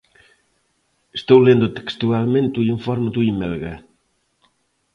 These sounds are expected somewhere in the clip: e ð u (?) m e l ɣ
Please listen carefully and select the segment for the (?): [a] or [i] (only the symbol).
i